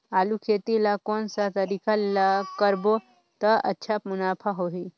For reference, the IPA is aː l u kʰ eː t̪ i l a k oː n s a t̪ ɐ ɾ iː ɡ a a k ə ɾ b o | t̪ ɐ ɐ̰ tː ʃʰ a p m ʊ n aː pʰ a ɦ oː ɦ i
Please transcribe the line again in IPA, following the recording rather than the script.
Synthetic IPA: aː l u kʰ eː t̪ i l a k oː n s a t̪ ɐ ɾ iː k a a k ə ɾ b o | t̪ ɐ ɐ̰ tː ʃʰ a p m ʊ n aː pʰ a ɦ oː ɦ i